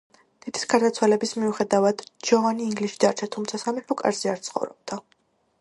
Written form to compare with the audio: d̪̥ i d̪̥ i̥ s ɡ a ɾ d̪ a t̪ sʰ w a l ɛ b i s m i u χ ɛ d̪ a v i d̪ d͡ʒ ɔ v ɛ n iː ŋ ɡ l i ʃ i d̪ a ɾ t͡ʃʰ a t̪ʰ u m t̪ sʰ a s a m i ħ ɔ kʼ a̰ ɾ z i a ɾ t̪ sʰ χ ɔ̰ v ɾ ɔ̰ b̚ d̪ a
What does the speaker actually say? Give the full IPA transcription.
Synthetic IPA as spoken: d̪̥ i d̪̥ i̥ s ɡ a ɾ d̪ a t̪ sʰ w a l ɛ b i s m i u χ ɛ d̪ a v a d̪ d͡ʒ ɔ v a n iː ŋ ɡ l i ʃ i d̪ a ɾ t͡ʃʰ a t̪ʰ u m t̪ sʰ a s a m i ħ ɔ kʼ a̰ ɾ z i a ɾ t̪ sʰ χ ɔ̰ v ɾ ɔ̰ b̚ d̪ a